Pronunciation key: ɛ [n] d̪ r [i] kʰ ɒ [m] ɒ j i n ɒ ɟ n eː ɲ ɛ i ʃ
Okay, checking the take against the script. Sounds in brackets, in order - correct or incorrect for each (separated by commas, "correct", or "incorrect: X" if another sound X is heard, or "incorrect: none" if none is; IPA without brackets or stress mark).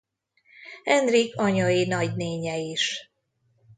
correct, correct, incorrect: ɲ